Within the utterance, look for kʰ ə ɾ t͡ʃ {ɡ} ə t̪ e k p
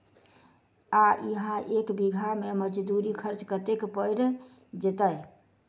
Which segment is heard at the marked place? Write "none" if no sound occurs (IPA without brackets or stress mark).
k